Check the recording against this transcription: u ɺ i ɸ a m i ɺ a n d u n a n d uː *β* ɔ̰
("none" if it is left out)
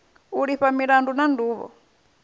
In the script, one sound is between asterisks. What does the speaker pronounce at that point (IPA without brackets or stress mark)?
β